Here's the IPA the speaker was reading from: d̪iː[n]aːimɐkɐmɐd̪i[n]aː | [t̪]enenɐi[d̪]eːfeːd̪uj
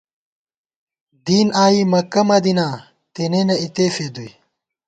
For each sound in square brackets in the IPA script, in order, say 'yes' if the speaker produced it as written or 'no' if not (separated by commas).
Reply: yes, yes, yes, no